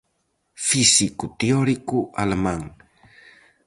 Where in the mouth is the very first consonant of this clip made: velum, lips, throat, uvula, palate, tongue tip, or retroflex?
lips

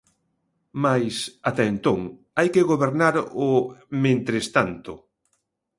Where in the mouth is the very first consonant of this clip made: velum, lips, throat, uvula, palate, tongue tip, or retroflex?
lips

